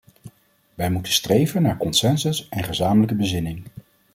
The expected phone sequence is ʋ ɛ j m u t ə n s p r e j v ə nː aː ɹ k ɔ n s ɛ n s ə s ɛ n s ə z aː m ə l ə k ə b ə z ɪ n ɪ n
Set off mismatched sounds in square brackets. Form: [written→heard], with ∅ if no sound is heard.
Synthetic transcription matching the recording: ʋ ɛ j m u t ə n s [p→t] r e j v ə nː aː ɹ k ɔ n s ɛ n s ə s ɛ n [s→χ] ə z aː m ə l ə k ə b ə z ɪ n ɪ [n→ŋ]